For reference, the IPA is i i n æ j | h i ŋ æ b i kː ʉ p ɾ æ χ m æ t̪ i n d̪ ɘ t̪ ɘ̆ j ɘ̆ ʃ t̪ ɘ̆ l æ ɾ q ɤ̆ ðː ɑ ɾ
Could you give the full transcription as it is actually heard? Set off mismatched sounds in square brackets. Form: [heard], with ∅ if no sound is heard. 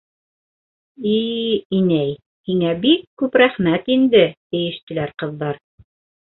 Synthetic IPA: i i n æ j | h i ŋ æ b i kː ʉ p ɾ æ χ m æ t̪ i n d̪ ɘ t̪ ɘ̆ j ɘ̆ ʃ t̪ ɘ̆ l æ ɾ q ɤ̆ ðː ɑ ɾ